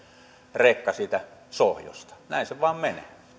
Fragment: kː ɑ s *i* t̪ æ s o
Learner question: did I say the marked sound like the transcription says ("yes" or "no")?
no